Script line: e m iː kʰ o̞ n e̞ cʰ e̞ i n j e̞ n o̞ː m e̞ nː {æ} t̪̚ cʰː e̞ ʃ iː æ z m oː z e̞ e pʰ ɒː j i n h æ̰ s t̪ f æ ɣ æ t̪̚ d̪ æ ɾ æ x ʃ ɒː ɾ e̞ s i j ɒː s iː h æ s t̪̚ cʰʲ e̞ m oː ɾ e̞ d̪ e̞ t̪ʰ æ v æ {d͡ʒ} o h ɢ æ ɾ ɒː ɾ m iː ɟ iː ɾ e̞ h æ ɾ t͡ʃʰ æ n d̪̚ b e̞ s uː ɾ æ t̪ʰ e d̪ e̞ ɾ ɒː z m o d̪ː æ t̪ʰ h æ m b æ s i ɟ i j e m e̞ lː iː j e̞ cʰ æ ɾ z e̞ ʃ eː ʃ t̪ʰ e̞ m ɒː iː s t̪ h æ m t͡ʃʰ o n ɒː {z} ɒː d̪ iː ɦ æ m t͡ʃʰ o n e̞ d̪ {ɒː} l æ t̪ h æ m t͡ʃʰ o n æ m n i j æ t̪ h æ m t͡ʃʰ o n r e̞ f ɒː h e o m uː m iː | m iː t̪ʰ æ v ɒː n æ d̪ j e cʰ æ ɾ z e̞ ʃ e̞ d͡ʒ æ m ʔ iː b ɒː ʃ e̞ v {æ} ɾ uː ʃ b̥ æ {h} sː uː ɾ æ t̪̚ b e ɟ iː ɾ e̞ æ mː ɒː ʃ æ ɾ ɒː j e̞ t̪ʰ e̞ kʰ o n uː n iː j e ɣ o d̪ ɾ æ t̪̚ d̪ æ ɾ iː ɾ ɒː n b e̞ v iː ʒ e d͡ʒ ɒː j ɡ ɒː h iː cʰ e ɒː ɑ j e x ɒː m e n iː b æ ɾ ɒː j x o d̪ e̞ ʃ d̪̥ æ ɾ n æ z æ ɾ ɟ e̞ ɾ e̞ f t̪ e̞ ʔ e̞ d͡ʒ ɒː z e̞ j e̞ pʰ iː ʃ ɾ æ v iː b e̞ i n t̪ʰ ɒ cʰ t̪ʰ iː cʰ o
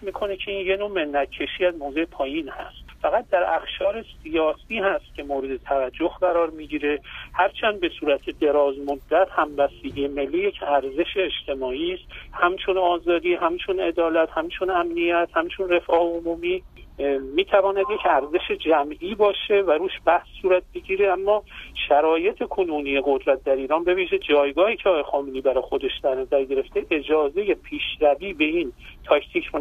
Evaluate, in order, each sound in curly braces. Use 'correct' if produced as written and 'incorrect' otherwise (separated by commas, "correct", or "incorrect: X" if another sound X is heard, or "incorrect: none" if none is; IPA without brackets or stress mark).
correct, incorrect: d͡ʒː, correct, correct, correct, correct